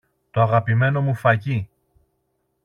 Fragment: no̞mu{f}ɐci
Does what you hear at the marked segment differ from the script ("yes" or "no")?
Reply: no